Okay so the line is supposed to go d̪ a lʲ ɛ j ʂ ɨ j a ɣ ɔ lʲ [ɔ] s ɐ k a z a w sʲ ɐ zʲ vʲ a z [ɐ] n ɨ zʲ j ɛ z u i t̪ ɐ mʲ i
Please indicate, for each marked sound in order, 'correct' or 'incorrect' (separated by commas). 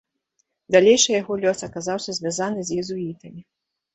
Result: correct, incorrect